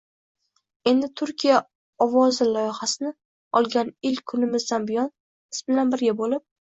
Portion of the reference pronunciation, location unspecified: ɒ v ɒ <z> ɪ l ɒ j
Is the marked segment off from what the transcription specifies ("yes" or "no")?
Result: no